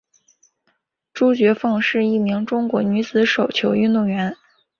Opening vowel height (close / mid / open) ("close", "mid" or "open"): close